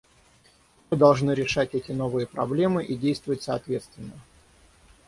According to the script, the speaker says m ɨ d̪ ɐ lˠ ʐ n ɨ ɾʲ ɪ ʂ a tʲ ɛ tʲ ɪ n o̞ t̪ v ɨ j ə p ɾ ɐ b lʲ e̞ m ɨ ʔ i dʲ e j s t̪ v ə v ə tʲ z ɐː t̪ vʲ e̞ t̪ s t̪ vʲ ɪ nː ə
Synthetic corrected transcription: m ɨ d̪ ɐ lˠ ʐ n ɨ ɾʲ ɪ ʂ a tʲ ɛ tʲ ɪ n o̞ v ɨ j ə p ɾ ɐ b lʲ e̞ m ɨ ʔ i dʲ e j s t̪ v ə v ə tʲ s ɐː t̪ vʲ e̞ t̪ s t̪ vʲ ɪ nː ə